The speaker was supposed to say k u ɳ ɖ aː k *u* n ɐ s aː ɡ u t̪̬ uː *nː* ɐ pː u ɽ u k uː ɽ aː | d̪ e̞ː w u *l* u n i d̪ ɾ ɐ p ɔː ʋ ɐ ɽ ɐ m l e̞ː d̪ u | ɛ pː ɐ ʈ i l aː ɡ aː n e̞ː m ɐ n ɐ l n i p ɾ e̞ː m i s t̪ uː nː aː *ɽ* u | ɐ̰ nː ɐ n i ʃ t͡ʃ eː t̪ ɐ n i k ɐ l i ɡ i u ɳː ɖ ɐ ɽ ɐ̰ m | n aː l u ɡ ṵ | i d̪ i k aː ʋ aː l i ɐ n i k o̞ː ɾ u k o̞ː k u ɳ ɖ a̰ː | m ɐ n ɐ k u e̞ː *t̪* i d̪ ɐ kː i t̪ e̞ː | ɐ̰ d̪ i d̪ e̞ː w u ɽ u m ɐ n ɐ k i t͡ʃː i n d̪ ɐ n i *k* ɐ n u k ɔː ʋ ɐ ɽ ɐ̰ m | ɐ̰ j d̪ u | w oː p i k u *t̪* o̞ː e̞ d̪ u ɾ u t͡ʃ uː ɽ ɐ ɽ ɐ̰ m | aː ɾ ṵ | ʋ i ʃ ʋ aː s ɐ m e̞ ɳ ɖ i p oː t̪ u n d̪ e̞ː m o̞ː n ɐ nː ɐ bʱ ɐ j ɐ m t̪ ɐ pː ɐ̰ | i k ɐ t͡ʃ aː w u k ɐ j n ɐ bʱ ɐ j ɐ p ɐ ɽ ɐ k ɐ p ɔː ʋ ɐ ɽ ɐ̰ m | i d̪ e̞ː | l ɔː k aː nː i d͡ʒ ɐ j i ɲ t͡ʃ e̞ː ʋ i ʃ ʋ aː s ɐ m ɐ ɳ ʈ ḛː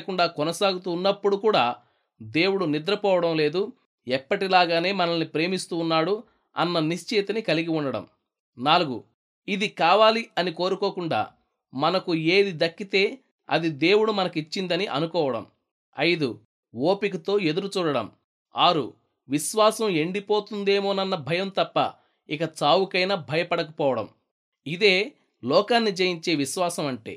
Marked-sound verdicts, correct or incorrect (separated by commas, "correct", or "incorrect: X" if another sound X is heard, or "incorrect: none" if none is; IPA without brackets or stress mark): incorrect: ɔ, correct, incorrect: ɽ, correct, incorrect: d̪, incorrect: ʔ, correct